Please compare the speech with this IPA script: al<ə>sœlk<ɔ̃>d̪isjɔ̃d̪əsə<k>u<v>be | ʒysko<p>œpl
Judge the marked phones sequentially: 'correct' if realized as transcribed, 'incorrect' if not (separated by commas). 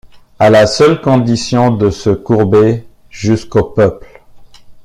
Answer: incorrect, correct, correct, incorrect, correct